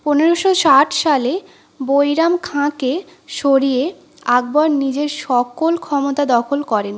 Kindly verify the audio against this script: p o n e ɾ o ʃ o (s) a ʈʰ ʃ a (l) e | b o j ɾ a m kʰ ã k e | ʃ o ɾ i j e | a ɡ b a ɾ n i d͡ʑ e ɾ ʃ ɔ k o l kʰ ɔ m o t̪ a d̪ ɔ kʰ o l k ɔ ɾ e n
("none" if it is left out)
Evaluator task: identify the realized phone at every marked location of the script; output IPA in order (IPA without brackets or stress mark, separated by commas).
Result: ʃ, l